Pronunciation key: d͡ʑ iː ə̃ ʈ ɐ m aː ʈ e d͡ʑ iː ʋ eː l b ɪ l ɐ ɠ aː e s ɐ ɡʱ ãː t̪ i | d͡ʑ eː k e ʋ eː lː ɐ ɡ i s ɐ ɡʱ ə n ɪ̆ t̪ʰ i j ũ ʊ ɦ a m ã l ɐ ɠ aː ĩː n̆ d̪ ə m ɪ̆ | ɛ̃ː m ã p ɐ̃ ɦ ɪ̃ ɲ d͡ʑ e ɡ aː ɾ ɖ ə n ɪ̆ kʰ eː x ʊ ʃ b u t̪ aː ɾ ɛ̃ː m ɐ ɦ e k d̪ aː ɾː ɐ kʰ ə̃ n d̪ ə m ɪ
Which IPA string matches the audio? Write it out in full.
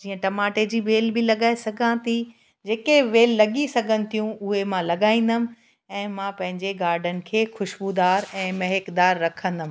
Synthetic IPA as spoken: d͡ʑ iː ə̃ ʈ ɐ m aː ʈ e d͡ʑ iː ʋ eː l b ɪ l ɐ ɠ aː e s ɐ ɡʱ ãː t̪ i | d͡ʑ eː k e ʋ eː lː ɐ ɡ i s ɐ ɡʱ ə n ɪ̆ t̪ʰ i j ũ ʊ ɦ e m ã l ɐ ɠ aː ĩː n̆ d̪ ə m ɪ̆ | ɛ̃ː m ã p ɐ̃ ɦ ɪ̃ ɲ d͡ʑ e ɡ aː ɾ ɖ ə n ɪ̆ kʰ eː x ʊ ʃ b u d̪ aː ɾ ɛ̃ː m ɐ ɦ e k d̪ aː ɾː ɐ kʰ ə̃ n d̪ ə m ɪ